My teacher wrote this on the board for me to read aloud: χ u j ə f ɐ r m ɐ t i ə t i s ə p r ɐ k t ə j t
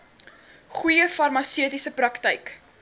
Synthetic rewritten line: χ u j ə f ɐ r m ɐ s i ə t i s ə p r ɐ k t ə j k